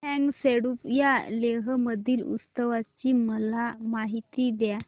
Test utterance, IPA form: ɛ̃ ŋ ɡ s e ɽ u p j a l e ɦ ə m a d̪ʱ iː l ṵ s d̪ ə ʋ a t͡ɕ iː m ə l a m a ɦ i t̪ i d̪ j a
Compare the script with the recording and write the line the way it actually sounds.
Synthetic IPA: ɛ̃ ŋ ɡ s e ɽ u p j a l e ɦ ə m ə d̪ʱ iː l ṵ s t̪ ə ʋ a t͡ɕ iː m ə l a m a ɦ i t̪ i d̪ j a